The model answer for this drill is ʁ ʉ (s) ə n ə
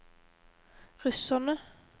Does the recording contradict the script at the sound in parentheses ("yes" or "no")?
no